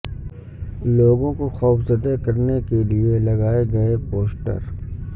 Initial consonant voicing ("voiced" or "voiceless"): voiced